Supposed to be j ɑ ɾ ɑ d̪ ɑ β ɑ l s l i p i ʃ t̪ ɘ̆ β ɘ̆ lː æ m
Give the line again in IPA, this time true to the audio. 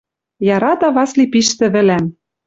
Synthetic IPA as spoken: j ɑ ɾ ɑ t̪ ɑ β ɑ s l i p i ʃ t̪ ɘ̆ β ɘ̆ l æ m

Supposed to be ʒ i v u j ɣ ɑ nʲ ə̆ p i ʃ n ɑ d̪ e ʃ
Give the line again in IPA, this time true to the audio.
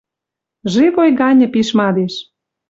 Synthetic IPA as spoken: ʒ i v o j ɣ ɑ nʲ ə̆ p i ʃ m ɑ d̪ e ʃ

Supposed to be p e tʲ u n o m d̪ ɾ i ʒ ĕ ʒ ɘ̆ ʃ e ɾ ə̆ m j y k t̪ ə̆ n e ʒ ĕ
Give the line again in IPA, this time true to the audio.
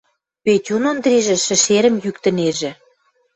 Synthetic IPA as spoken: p e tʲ u n o n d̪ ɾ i ʒ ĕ ʃ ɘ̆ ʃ e ɾ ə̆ m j y k t̪ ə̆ n e ʒ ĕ

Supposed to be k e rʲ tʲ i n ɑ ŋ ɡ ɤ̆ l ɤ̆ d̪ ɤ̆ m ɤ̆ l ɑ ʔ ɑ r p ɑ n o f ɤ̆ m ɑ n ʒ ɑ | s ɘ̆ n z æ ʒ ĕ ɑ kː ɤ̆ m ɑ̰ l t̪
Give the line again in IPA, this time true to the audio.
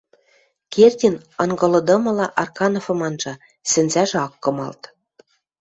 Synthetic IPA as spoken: k e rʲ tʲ i n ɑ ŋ ɡ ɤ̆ l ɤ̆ d̪ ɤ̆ m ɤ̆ l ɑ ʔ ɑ r k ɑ n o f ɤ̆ m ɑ n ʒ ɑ | s ɘ̆ n z æ ʒ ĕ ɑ kː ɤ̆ m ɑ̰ l t̪

